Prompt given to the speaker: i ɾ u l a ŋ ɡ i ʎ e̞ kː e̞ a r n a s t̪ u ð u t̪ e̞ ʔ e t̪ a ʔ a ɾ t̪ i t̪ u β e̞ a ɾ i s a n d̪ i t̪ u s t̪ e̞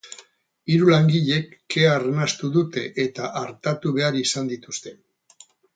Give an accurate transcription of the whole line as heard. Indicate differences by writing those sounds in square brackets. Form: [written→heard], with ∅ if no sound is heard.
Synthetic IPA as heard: i ɾ u l a ŋ ɡ i ʎ e̞ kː e̞ a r n a s t̪ u ð u t̪ e̞ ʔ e t̪ a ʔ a ɾ t̪ [i→a] t̪ u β e̞ a ɾ i s a n d̪ i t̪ u s t̪ e̞